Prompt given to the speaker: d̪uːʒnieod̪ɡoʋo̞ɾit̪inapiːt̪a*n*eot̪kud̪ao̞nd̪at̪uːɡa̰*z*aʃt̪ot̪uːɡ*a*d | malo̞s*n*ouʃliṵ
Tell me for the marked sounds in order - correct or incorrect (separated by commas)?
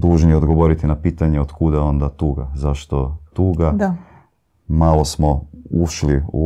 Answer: incorrect, correct, correct, incorrect